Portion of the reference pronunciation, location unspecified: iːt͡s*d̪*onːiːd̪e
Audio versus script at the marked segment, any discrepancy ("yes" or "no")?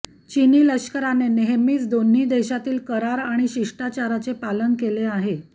no